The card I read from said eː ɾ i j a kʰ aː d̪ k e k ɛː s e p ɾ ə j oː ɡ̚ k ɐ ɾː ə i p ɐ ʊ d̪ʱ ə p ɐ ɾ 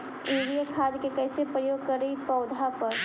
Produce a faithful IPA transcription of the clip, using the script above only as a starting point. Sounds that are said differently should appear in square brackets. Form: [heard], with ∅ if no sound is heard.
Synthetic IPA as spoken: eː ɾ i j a kʰ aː d̪ k e k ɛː s e p ɾ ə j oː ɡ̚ k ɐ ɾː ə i p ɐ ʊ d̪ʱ [a] p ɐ ɾ